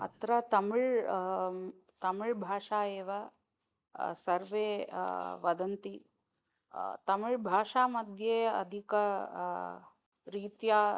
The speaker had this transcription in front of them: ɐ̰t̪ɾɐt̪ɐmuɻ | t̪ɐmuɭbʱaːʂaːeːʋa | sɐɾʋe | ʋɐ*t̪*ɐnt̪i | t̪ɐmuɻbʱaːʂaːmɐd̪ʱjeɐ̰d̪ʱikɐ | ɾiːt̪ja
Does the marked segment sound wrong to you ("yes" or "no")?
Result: yes